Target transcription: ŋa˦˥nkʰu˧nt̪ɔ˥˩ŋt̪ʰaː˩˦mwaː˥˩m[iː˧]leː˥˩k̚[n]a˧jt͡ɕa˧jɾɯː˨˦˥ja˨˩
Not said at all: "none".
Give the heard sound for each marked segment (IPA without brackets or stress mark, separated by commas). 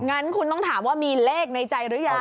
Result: iː˧, n